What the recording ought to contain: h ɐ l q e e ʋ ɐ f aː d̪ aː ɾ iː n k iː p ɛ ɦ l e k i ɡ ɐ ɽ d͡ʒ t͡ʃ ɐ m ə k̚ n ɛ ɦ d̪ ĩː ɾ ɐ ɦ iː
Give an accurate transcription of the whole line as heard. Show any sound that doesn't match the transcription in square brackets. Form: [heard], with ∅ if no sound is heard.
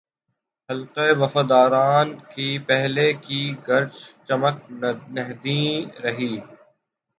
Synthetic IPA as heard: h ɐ l q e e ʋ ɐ f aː d̪ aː ɾ [aː] n k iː p ɛ ɦ l e k i ɡ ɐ [ɾ] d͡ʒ t͡ʃ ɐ m ə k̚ n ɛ ɦ d̪ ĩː ɾ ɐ ɦ iː